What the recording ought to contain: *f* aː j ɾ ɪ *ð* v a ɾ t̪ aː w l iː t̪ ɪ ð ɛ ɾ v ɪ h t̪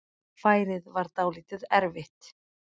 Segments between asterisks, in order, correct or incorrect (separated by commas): correct, correct